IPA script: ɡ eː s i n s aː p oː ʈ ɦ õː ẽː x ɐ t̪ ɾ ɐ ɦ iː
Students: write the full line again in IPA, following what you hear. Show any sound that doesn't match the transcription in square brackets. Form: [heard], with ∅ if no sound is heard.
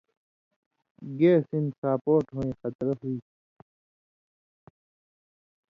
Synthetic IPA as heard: ɡ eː s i n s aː p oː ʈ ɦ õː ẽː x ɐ t̪ ɾ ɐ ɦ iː